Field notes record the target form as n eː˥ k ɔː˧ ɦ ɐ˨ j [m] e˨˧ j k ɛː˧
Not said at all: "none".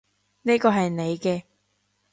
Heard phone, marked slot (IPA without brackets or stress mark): n